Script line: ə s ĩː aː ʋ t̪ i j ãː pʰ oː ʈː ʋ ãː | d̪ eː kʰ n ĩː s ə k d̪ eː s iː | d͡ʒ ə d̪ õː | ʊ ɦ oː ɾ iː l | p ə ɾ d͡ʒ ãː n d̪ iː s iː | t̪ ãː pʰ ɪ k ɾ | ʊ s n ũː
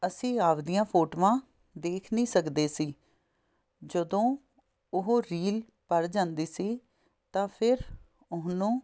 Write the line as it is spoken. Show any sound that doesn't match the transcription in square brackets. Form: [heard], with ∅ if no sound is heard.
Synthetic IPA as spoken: ə s ĩː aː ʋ [d̪] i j ãː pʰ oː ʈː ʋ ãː | d̪ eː kʰ n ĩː s ə k d̪ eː s iː | d͡ʒ ə d̪ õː | ʊ ɦ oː ɾ iː l | p ə ɾ d͡ʒ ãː n d̪ iː s iː | t̪ ãː pʰ ɪ [∅] ɾ | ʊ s n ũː